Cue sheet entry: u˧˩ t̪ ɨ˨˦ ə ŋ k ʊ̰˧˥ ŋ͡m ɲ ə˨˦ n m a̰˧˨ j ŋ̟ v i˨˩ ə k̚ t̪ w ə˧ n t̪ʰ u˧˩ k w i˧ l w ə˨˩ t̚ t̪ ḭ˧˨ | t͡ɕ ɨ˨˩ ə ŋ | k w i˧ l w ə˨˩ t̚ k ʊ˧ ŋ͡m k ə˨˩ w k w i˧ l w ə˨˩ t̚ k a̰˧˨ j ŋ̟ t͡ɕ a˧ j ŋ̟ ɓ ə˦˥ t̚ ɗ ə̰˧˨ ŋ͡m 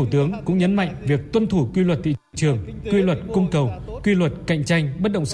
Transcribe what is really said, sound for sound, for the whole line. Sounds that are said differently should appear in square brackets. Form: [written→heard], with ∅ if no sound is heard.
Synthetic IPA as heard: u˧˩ t̪ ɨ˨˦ ə ŋ k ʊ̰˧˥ ŋ͡m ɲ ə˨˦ n m a̰˧˨ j ŋ̟ v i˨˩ ə k̚ t̪ w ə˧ n t̪ʰ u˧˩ k w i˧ l w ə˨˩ t̚ t̪ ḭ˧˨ | t͡ɕ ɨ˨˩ ə ŋ | k w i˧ l w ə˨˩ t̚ k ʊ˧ ŋ͡m k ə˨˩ w k w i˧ l w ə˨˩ t̚ k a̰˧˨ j ŋ̟ t͡ɕ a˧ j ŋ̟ ɓ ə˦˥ t̚ ɗ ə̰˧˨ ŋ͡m